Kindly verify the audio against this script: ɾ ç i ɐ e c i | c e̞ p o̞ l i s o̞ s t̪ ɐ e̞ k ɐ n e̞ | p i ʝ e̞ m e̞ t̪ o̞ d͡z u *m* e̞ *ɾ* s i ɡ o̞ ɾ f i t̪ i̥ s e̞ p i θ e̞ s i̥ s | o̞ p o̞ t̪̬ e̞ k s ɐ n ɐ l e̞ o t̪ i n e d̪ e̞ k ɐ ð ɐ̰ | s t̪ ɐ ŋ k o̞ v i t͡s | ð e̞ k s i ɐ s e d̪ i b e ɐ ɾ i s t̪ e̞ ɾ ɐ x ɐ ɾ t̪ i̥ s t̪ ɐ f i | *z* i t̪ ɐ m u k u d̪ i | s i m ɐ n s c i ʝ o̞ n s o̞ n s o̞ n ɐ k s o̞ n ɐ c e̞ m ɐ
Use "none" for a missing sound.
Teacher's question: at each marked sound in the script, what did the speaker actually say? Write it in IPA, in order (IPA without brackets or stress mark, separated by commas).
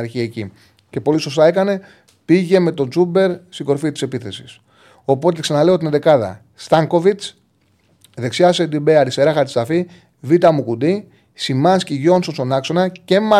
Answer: b, ɾ, v